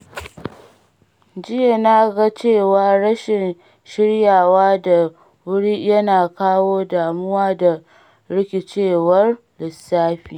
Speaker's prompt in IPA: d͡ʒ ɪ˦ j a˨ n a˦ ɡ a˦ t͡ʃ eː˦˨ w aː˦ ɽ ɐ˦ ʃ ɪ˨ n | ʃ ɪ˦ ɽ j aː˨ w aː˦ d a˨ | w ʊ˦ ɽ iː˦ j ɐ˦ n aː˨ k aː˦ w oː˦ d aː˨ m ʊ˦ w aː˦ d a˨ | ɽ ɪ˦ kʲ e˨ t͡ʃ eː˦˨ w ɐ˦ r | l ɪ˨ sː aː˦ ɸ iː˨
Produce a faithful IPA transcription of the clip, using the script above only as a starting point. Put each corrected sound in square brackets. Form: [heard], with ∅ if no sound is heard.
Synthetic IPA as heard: d͡ʒ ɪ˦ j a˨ n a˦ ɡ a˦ t͡ʃ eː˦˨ w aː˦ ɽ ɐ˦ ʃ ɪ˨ n | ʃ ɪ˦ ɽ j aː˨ w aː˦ d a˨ | w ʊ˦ ɽ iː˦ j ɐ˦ n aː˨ k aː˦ w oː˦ d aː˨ m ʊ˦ w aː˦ d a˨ | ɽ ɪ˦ kʲ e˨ t͡ʃ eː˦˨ w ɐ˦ r | l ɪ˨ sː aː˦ ɸ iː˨